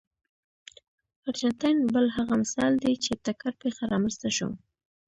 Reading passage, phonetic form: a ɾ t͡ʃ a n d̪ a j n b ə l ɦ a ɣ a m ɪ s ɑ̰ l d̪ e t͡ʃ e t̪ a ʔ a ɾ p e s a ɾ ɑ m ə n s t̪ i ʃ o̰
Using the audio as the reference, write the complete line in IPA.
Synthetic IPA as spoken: a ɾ t͡ʃ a n t̪ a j n b ə l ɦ a ɣ a m ɪ s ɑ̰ l d̪ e t͡ʃ e t̪ a k a ɾ p e x a ɾ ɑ m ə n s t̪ a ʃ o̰